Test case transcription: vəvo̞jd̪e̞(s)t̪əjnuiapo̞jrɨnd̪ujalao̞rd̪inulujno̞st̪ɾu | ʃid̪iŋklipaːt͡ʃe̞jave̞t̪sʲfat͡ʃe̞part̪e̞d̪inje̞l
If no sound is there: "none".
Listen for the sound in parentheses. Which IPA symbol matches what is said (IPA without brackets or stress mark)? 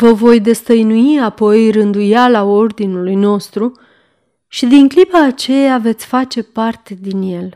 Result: s